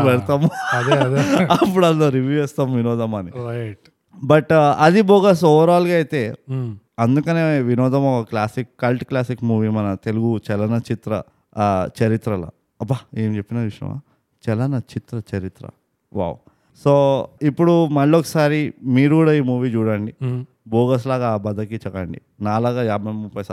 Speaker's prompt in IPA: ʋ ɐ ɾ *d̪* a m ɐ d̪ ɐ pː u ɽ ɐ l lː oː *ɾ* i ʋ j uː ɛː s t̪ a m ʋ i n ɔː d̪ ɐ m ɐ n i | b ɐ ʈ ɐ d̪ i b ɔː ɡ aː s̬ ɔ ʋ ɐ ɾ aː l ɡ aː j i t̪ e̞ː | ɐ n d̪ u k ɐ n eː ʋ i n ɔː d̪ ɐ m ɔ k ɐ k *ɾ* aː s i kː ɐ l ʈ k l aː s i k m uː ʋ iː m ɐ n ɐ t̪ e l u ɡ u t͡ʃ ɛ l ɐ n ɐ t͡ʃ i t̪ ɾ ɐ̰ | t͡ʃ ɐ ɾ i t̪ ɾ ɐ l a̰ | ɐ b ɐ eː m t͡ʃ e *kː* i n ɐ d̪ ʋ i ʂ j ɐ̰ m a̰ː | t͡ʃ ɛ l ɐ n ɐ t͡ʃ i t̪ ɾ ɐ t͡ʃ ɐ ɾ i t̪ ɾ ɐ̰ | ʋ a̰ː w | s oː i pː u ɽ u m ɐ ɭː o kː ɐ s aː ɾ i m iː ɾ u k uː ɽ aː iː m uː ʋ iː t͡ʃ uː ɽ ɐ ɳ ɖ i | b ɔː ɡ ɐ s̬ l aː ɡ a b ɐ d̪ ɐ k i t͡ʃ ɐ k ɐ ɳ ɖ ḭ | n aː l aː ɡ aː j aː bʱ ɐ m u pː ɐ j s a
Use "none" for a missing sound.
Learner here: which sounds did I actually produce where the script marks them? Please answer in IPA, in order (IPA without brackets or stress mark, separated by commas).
t̪, ɾ, l, pː